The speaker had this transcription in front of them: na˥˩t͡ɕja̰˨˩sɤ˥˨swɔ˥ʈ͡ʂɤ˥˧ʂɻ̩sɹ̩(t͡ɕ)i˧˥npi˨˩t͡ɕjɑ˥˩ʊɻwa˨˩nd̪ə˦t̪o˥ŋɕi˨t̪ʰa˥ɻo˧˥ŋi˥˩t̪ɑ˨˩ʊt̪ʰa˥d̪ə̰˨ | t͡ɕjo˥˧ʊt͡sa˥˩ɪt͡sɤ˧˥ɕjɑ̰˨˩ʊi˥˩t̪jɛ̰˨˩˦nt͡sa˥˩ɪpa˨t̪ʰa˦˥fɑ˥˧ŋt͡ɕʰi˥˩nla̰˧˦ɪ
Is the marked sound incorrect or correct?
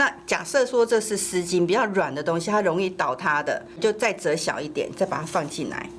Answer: correct